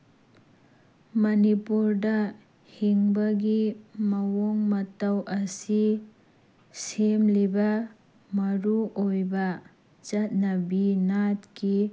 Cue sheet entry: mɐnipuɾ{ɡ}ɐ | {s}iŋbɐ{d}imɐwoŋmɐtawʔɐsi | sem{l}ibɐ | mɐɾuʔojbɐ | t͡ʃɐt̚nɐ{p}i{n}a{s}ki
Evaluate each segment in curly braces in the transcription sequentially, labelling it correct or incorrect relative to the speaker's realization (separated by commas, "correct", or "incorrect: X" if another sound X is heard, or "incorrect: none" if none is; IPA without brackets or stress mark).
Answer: incorrect: d, incorrect: h, incorrect: ɡ, correct, incorrect: b, correct, incorrect: t